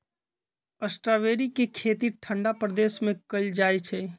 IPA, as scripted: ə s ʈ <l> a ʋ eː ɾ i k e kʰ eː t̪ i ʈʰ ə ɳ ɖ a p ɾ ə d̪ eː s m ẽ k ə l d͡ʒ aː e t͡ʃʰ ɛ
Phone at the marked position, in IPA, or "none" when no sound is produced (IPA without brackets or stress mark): ɾ